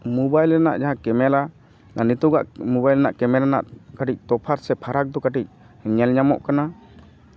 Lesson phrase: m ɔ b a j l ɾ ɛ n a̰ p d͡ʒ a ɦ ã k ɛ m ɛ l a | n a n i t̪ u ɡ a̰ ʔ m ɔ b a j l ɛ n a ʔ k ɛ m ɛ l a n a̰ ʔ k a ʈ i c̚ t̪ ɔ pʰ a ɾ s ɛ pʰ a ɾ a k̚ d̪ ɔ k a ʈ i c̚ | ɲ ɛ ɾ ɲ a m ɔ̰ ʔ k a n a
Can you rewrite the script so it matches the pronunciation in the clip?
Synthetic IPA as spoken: m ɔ b a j l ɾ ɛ n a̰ ʔ d͡ʒ a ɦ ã k ɛ m ɛ l a | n a n i t̪ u ɡ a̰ ʔ m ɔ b a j l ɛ n a ʔ k ɛ m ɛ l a n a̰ ʔ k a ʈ i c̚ t̪ ɔ pʰ a ɾ s ɛ pʰ a ɾ a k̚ d̪ ɔ k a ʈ i c̚ | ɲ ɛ l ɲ a m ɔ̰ ʔ k a n a